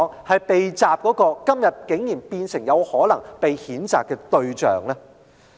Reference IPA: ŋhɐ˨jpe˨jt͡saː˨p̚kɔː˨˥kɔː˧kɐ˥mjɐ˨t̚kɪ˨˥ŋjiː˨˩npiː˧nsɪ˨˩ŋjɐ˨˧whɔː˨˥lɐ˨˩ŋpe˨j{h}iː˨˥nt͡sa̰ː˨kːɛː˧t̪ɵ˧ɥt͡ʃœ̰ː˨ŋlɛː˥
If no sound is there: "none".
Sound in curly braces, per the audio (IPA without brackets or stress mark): h